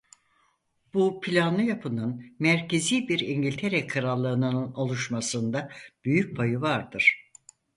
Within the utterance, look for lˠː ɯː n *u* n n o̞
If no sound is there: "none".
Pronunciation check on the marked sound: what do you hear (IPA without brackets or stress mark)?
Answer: ɯ